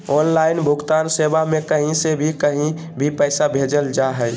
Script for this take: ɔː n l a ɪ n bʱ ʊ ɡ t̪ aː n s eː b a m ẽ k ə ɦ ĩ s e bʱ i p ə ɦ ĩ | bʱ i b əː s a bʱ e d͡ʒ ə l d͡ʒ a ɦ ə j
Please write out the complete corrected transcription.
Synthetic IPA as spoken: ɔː n l a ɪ n bʱ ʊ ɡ t̪ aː n s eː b a m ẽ k ə ɦ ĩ s e bʱ i k ə ɦ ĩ | bʱ i p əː s a bʱ e d͡ʒ ə l d͡ʒ a ɦ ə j